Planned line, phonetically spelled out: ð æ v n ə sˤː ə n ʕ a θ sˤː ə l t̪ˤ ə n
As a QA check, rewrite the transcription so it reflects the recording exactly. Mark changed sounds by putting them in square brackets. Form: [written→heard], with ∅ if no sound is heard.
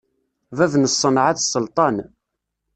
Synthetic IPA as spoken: [ð→v] æ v n ə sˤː ə n ʕ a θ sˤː ə l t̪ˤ [ə→ɑ] n